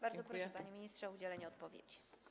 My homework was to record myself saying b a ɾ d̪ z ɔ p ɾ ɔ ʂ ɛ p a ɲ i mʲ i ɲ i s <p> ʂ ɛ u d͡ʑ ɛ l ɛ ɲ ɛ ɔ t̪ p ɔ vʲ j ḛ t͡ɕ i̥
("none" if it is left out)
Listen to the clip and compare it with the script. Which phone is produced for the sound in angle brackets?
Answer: t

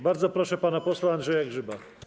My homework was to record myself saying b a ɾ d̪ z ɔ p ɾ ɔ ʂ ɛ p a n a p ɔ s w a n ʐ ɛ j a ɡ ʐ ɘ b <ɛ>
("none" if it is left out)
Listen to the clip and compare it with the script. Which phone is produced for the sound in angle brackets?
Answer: a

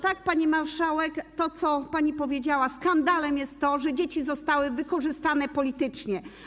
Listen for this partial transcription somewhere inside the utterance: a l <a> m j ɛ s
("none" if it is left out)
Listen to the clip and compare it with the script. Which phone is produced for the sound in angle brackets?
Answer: ɛ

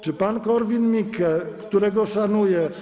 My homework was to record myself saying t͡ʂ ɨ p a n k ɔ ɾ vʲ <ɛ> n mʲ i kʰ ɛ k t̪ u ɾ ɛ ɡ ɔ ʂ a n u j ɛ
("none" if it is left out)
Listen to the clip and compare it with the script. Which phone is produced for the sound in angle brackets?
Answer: i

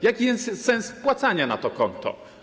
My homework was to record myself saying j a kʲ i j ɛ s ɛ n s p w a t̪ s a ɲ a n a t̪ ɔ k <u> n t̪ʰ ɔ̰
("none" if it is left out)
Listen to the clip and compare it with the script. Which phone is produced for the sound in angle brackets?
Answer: ɔ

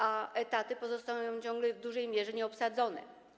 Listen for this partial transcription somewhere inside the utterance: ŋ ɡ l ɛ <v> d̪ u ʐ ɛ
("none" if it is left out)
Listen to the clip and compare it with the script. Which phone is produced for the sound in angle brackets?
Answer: v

